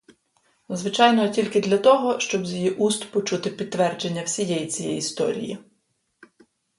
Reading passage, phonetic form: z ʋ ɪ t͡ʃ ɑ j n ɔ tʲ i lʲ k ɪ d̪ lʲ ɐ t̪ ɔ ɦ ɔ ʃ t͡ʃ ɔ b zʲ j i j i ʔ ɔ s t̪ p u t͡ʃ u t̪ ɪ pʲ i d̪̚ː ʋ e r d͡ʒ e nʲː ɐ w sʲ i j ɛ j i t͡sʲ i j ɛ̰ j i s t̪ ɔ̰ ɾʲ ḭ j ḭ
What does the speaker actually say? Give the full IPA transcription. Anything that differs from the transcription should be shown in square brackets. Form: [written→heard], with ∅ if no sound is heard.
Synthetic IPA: z ʋ ɪ t͡ʃ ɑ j n ɔ tʲ i lʲ k ɪ d̪ lʲ ɐ t̪ ɔ ɦ ɔ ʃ t͡ʃ ɔ b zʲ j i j i ʔ [ɔ→u] s t̪ p [u→ɔ] t͡ʃ u t̪ ɪ pʲ i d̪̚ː ʋ [e→ɛ] r d͡ʒ e nʲː ɐ w sʲ i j ɛ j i t͡sʲ i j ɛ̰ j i s t̪ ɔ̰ ɾʲ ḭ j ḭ